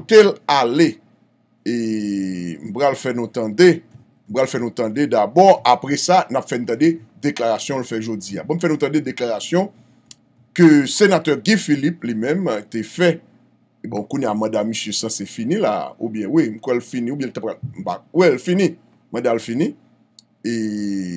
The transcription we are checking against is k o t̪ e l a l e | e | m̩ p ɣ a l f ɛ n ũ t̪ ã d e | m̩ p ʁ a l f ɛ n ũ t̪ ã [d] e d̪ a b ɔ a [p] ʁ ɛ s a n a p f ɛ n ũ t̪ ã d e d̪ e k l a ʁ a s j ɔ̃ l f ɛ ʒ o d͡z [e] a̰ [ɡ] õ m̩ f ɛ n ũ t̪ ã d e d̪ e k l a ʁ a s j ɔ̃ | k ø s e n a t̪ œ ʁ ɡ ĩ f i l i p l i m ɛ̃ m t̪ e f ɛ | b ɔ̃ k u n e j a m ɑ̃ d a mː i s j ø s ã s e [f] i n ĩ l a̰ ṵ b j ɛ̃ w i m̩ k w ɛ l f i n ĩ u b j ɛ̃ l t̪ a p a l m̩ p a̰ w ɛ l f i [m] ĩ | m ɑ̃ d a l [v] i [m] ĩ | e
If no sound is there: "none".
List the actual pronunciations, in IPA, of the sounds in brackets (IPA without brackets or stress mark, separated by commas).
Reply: d, p, i, b, f, n, f, n